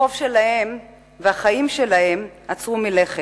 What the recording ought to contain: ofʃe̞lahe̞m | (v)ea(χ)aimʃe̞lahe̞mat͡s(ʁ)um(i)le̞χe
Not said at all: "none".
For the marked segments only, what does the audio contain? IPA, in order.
v, χ, ʁ, i

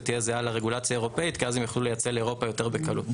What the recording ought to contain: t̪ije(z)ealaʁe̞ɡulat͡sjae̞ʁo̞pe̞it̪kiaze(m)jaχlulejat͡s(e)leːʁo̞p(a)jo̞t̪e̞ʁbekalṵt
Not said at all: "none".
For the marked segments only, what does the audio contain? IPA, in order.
z, m, e, a

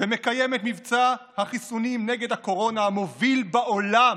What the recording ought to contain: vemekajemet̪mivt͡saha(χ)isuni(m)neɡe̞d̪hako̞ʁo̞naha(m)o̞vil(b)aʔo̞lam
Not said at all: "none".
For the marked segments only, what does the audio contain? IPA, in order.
χ, m, m, b

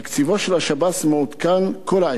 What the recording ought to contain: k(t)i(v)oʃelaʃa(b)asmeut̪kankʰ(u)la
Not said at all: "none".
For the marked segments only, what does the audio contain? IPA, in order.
t͡s, v, b, o

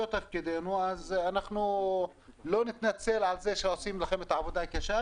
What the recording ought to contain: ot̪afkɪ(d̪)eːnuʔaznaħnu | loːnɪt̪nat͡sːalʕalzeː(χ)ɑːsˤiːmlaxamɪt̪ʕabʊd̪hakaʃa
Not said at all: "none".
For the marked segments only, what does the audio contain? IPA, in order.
d̪, ʃ

